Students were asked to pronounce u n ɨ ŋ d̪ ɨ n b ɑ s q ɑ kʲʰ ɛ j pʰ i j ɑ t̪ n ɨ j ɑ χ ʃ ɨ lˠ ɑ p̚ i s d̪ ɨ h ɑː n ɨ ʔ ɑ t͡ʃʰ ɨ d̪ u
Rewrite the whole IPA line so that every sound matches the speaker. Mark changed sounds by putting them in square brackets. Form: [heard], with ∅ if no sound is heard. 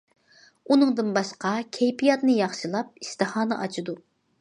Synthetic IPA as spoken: u n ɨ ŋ d̪ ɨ n b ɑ [ʃ] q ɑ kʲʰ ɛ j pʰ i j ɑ t̪ n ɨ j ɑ χ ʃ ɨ lˠ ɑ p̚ i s [t̪] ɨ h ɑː n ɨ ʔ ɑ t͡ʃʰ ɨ d̪ u